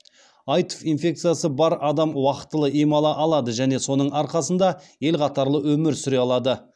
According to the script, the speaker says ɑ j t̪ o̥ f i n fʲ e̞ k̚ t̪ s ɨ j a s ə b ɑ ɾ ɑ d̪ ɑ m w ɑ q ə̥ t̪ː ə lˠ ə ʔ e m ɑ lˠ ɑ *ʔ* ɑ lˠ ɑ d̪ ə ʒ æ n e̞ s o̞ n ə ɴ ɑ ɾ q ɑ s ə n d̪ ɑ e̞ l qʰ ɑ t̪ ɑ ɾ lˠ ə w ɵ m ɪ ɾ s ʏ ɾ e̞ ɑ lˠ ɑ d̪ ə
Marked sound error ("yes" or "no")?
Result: no